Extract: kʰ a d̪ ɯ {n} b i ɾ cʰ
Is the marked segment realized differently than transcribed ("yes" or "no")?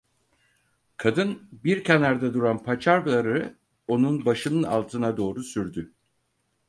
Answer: no